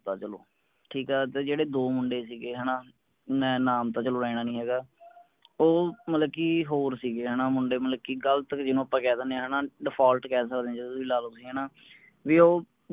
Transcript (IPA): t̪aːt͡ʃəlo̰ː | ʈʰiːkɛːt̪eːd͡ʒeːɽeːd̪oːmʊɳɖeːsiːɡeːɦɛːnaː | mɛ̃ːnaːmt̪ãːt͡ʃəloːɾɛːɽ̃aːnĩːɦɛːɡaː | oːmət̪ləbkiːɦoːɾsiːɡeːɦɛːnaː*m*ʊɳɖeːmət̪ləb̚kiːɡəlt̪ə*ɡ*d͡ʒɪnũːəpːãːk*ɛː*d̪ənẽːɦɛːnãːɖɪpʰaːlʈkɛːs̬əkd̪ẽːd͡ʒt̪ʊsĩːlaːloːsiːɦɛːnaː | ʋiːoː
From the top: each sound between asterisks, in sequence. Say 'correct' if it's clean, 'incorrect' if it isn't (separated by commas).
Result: correct, incorrect, correct